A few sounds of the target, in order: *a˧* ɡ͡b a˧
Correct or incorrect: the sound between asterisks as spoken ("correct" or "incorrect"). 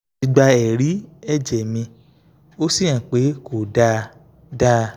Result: incorrect